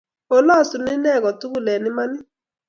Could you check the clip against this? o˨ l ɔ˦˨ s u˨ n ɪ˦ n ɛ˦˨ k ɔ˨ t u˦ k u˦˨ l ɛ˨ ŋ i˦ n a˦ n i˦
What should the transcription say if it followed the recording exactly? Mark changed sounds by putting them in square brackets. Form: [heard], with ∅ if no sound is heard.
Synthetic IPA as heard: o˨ l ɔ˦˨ s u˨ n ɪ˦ n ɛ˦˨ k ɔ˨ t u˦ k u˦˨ l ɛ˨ [n] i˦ [m] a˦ n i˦